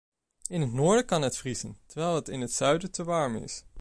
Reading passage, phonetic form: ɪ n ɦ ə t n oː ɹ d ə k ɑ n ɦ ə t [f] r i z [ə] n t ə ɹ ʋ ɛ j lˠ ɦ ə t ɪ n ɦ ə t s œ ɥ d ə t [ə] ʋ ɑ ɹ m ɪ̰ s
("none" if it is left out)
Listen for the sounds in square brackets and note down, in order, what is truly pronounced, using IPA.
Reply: f, ə, ə

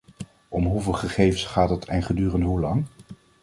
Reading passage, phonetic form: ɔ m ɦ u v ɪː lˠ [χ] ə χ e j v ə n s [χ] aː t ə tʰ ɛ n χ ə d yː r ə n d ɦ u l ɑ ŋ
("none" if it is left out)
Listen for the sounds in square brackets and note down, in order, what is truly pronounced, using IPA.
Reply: χ, χ

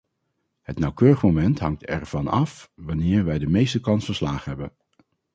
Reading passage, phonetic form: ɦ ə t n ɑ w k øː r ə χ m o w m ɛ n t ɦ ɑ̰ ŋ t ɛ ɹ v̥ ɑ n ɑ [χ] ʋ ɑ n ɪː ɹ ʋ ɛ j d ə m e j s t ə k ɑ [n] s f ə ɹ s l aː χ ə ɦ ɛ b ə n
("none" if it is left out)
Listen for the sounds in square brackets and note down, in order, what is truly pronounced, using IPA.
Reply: f, n

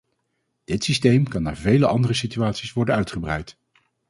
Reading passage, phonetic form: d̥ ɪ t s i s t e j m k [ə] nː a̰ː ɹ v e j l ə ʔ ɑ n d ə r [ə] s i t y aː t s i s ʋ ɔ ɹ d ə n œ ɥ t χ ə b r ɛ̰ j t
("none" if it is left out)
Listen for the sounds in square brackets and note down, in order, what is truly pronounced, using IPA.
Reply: ɑ, ə

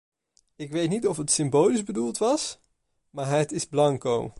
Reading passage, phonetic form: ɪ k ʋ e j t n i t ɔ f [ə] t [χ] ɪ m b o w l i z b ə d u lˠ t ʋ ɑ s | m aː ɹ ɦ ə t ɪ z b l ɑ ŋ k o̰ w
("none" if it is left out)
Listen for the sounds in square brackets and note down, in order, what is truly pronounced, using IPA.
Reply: ə, s

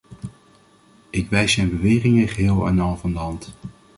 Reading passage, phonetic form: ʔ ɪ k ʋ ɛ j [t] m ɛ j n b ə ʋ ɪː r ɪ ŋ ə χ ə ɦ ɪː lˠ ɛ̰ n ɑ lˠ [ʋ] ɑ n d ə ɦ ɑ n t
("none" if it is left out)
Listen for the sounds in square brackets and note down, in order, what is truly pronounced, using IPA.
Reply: s, v

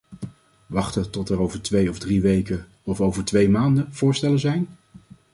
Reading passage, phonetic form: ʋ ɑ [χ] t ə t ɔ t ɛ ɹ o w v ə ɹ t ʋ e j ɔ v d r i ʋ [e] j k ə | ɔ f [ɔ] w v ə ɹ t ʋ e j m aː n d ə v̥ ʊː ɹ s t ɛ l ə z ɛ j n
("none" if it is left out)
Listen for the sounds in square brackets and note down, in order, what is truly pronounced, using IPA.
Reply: χ, e, o

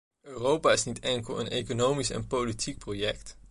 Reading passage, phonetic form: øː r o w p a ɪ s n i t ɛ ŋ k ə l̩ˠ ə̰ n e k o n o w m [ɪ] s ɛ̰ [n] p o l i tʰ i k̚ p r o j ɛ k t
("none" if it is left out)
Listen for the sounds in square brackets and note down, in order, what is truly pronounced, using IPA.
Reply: i, n

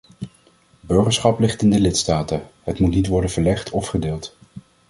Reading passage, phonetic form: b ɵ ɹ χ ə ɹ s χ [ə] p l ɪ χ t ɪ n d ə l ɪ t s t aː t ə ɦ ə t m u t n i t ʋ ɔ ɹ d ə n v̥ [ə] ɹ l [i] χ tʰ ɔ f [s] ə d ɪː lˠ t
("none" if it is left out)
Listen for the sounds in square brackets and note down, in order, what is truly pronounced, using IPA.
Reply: ɑ, ə, ɛ, χ

